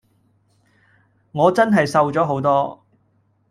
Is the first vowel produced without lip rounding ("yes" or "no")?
no